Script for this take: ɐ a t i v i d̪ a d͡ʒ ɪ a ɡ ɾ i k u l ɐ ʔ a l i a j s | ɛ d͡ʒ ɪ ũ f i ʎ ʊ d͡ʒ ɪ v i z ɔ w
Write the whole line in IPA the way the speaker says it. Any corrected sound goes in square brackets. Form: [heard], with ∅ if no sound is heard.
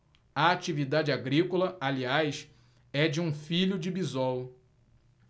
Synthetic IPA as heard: ɐ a [t͡ʃ] i v i d̪ a d͡ʒ ɪ a ɡ ɾ i k [o] l ɐ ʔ a l i a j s | ɛ d͡ʒ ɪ ũ f i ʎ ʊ d͡ʒ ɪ [b] i z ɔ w

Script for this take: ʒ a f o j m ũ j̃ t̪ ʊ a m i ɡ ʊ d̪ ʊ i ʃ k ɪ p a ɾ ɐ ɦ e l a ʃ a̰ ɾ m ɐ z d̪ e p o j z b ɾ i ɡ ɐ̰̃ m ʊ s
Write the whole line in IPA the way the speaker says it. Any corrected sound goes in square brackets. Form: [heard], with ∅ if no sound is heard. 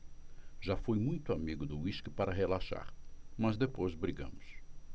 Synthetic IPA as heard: ʒ a f o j m ũ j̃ t̪ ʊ a m i ɡ ʊ d̪ ʊ i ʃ k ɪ p a ɾ ɐ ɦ e l a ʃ a̰ ɾ m ɐ z d̪ e p o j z b ɾ i ɡ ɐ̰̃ m ʊ s

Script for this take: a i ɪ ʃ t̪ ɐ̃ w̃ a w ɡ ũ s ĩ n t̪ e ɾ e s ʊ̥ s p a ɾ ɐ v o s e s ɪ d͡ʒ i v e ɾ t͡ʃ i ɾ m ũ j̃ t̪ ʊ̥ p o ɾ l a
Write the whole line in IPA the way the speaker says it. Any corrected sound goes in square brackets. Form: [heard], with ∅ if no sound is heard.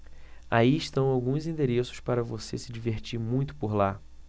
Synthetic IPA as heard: a i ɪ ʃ t̪ ɐ̃ w̃ a w ɡ ũ [z] ĩ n [d̪] e ɾ e s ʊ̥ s p a ɾ ɐ v o s e s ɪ d͡ʒ i v e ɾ t͡ʃ i ɾ m ũ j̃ t̪ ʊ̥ p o ɾ l a

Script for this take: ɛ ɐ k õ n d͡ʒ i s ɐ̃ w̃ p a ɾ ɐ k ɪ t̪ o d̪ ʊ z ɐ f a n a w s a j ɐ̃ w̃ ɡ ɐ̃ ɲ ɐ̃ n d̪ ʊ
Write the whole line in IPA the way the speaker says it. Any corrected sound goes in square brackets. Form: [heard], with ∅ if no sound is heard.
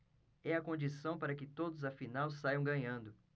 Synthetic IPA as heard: ɛ ɐ k õ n d͡ʒ i s ɐ̃ w̃ p a ɾ ɐ k ɪ t̪ o d̪ ʊ z ɐ f [i] n a w s a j ɐ̃ w̃ ɡ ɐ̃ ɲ ɐ̃ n d̪ ʊ

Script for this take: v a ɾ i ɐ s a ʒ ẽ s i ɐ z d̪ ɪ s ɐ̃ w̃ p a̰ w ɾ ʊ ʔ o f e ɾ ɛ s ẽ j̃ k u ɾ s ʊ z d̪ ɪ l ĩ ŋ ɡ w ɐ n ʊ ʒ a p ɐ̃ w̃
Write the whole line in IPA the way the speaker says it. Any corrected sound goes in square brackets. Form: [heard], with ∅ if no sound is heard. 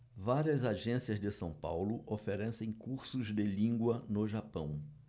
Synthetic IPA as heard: v a ɾ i ɐ [z] a ʒ ẽ s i ɐ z d̪ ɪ s ɐ̃ w̃ p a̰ w [l] ʊ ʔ o f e ɾ ɛ s ẽ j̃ k u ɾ s ʊ z d̪ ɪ l ĩ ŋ ɡ w ɐ n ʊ ʒ a p ɐ̃ w̃

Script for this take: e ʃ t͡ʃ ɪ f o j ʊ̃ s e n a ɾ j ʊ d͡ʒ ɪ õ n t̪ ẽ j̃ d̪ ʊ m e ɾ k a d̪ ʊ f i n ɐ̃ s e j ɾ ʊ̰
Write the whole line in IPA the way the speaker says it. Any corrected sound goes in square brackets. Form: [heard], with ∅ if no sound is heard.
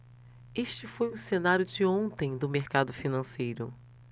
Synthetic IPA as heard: e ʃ t͡ʃ ɪ f o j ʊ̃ s e n a ɾ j ʊ d͡ʒ ɪ õ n t̪ ẽ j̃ d̪ ʊ m e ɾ k a d̪ ʊ f i n ɐ̃ s e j ɾ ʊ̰

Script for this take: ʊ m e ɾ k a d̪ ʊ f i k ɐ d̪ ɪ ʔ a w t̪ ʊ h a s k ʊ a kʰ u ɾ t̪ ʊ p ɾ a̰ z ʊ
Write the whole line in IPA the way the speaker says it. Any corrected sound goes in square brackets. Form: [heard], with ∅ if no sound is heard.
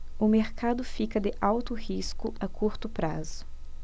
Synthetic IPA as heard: ʊ m e ɾ k a d̪ ʊ f i k ɐ d̪ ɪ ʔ a w t̪ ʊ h [i] s k ʊ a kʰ u ɾ t̪ ʊ p ɾ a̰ z ʊ

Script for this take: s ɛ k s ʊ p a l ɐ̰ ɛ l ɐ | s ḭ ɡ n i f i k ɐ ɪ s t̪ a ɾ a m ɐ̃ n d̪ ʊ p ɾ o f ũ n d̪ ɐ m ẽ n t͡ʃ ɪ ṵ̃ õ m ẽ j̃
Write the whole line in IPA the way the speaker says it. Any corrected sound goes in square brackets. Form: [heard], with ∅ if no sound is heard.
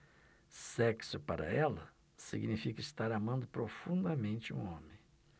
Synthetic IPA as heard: s ɛ k s ʊ p a [ɾ] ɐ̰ ɛ l ɐ | s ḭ ɡ n i f i k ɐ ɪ s t̪ a ɾ a m ɐ̃ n d̪ ʊ p ɾ o f ũ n d̪ ɐ m ẽ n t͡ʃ ɪ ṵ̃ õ m ẽ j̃

